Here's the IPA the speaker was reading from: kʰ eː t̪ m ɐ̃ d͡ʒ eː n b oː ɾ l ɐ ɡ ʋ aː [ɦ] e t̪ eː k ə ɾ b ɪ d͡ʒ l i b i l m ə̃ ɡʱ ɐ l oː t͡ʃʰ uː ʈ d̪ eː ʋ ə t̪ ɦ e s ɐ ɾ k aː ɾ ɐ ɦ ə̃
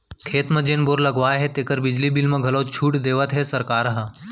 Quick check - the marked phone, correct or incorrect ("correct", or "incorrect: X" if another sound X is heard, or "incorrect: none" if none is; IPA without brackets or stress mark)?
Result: correct